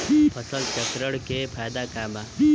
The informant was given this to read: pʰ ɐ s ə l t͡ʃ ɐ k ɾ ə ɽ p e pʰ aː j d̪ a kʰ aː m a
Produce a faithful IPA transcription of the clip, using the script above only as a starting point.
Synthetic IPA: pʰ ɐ s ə l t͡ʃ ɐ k ɾ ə ɽ k e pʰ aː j d̪ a k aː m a